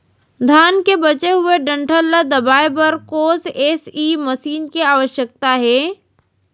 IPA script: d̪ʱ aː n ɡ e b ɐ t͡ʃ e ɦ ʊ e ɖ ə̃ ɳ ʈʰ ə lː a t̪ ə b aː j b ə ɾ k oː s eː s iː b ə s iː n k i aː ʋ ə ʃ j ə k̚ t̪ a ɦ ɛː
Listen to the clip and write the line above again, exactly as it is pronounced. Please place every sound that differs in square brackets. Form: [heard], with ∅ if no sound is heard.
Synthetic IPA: d̪ʱ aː n [k] e b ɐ t͡ʃ e ɦ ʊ e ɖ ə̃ ɳ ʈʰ ə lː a [d̪] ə b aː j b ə ɾ k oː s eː s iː [m] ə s iː n k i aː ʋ ə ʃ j ə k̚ t̪ a ɦ ɛː